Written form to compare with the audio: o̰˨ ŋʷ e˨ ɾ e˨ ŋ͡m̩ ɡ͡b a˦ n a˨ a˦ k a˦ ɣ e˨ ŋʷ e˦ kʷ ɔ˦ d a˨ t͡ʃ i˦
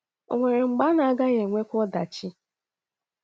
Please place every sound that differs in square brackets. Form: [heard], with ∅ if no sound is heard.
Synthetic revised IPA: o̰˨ ŋʷ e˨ ɾ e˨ ŋ͡m̩ ɡ͡b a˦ n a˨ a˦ [ɡ] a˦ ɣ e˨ ŋʷ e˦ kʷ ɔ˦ d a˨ t͡ʃ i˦